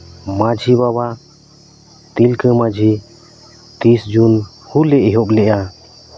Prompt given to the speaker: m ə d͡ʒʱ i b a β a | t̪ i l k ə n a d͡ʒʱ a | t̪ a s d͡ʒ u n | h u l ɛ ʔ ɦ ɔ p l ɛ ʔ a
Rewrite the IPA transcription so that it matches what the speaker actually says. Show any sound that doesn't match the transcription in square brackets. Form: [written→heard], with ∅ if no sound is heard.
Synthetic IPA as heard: m [ə→a] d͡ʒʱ i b a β a | t̪ i l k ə [n→m] a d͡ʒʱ [a→i] | t̪ [a→i] s d͡ʒ u n | h u l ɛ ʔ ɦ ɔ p l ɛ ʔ a